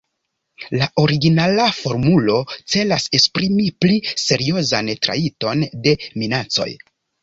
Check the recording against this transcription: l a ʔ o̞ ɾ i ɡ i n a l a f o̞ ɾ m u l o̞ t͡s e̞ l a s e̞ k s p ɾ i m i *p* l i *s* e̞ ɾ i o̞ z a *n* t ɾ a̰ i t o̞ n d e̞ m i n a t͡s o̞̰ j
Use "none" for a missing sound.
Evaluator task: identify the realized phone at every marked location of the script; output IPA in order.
p, s, n

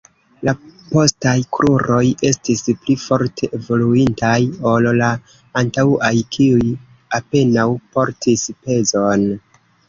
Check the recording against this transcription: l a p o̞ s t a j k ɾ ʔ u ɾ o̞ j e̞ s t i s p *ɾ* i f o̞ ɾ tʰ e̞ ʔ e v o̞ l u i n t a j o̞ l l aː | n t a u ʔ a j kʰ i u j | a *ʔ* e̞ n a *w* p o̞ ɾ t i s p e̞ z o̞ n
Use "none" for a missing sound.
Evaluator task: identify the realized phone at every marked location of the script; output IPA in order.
l, p, w

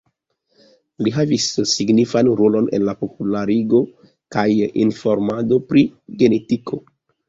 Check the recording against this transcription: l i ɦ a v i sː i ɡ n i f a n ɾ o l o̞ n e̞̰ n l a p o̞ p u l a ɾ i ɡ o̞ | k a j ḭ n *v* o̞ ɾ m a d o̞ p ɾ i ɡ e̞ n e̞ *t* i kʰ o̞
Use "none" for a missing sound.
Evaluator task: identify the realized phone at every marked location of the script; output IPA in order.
f, t

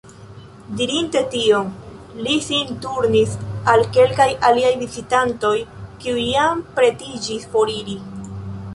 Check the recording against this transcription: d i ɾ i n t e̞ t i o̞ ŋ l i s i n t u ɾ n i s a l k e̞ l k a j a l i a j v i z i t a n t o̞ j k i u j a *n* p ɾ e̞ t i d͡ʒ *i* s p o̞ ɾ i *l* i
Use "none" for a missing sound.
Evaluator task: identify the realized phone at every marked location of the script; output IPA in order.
m, i, ɾ

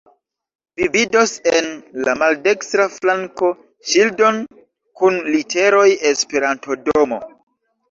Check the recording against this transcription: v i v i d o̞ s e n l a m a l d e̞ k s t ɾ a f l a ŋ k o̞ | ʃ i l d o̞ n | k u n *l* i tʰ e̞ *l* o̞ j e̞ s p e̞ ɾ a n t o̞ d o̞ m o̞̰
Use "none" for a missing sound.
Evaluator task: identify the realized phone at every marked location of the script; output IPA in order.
l, ɾ

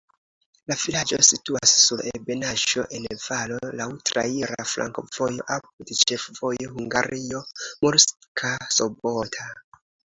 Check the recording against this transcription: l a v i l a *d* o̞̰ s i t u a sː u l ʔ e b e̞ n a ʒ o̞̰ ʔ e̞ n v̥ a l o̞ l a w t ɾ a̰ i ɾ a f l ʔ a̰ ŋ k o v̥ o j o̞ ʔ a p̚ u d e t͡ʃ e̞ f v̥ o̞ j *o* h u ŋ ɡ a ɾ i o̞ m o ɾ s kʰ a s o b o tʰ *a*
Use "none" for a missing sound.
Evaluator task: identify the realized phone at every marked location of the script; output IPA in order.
d͡ʒ, o, a

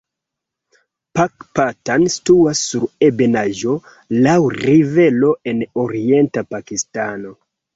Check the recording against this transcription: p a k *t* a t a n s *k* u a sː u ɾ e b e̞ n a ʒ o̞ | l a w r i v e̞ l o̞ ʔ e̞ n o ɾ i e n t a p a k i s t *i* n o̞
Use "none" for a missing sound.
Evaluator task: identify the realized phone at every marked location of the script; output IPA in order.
p, t, a

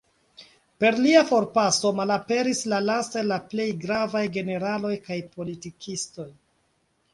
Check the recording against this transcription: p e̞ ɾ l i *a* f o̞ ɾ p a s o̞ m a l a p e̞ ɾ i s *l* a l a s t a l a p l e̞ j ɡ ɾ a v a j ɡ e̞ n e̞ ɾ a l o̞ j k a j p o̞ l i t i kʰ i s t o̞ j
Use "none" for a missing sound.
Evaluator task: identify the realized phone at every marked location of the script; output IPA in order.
a, l

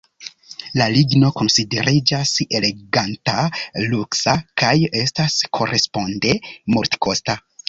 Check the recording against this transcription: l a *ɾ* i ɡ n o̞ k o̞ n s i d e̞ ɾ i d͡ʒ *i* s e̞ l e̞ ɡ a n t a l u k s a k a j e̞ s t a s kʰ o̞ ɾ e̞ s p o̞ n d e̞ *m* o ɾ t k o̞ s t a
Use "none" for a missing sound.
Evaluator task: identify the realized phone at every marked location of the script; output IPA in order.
l, a, m

